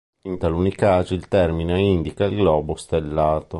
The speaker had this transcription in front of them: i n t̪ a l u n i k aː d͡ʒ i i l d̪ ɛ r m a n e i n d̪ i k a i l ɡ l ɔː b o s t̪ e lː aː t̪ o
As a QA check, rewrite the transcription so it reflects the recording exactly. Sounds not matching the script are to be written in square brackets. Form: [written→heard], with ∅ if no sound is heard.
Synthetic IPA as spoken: i n t̪ a l u n i k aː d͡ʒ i i l [d̪→t̪] ɛ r m [a→i] n e i n d̪ i k a i l ɡ l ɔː b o s t̪ e lː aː t̪ o